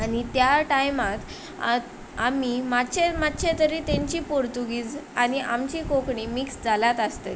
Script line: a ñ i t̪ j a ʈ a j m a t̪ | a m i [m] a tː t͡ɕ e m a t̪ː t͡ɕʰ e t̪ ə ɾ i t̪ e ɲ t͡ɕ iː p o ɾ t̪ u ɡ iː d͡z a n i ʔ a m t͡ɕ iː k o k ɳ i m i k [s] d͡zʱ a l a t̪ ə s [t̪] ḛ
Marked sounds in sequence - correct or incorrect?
correct, correct, correct

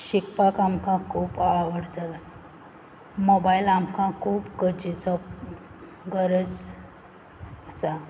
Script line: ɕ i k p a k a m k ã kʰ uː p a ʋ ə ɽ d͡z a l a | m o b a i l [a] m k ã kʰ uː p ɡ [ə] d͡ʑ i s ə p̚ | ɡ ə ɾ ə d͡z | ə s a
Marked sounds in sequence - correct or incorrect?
correct, correct

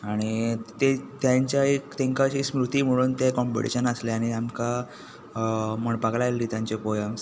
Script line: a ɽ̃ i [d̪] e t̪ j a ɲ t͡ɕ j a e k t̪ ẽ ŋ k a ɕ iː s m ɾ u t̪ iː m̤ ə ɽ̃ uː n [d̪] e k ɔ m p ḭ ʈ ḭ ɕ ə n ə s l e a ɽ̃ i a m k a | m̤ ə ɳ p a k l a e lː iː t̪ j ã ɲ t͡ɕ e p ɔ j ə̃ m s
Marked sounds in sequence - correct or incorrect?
incorrect: t̪, incorrect: t̪

